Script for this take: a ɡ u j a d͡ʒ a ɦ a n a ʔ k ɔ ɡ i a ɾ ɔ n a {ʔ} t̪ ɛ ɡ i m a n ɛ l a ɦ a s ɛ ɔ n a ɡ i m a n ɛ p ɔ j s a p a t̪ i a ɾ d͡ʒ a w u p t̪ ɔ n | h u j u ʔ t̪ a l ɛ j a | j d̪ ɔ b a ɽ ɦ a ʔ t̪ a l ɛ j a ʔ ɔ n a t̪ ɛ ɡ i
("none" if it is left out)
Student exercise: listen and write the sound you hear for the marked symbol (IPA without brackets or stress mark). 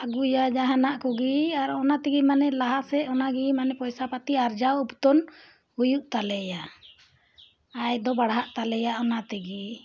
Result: none